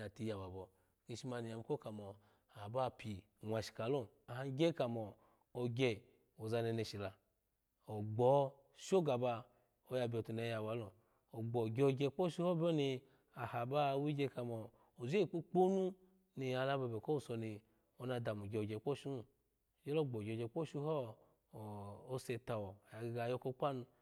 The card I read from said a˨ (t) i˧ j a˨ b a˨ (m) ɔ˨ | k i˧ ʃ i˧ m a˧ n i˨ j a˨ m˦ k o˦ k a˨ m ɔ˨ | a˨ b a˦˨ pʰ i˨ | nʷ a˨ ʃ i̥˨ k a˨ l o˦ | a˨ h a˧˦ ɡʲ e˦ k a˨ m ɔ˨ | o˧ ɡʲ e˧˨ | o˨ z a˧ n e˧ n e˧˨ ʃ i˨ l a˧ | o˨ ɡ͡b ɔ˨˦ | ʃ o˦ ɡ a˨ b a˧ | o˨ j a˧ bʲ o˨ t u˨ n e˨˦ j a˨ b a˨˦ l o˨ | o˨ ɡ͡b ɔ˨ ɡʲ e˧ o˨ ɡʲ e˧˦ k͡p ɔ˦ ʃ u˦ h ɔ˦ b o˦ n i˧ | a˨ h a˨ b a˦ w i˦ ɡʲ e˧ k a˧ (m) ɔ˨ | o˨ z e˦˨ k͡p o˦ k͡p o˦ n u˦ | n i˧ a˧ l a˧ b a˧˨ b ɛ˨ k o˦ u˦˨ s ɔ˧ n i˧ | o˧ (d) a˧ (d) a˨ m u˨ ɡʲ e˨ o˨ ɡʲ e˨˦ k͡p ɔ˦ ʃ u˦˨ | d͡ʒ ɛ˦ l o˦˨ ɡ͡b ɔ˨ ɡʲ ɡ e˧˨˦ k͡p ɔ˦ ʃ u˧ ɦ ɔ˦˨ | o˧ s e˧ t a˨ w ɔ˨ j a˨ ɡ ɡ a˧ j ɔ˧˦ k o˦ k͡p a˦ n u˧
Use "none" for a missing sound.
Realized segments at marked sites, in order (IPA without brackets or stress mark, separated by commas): t, b, m, n, d